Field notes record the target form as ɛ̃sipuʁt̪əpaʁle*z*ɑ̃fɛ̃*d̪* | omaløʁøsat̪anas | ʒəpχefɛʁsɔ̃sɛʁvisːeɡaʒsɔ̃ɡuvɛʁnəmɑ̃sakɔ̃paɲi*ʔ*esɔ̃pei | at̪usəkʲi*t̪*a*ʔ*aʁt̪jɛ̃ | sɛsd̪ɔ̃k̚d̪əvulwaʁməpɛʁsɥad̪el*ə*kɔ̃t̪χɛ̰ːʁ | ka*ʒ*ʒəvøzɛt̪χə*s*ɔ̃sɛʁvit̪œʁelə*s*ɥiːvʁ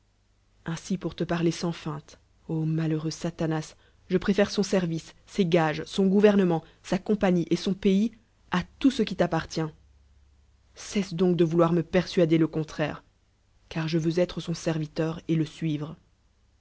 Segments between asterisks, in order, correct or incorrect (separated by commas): incorrect, incorrect, correct, correct, incorrect, correct, incorrect, correct, correct